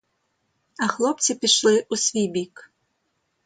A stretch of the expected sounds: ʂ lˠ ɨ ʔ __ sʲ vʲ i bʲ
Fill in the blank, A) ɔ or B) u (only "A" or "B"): B